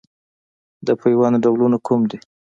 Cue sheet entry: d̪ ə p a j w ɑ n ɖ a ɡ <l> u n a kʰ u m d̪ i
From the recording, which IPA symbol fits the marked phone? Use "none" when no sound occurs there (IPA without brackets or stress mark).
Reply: l